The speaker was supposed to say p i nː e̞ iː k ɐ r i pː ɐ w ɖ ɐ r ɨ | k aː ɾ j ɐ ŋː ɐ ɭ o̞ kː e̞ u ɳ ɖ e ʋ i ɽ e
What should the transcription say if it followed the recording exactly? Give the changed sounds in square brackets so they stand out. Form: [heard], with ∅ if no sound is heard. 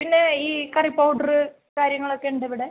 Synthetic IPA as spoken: p i nː e̞ iː k ɐ r i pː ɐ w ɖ ɐ r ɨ | k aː ɾ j ɐ ŋː ɐ ɭ o̞ kː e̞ u ɳ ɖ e ʋ i ɽ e